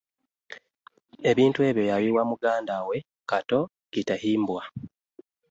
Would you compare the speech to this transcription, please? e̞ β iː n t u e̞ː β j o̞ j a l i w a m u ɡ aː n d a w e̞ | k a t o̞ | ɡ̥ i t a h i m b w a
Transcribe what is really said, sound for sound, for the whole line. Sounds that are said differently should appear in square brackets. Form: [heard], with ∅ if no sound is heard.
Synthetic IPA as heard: e̞ β iː n t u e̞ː β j o̞ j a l i w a m u ɡ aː n d a w e̞ | k a t o̞ | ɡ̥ i t a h [iː] m b w a